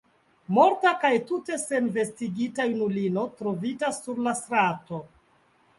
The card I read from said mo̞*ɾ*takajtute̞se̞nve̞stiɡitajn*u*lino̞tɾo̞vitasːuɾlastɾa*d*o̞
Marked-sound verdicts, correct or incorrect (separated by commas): correct, correct, incorrect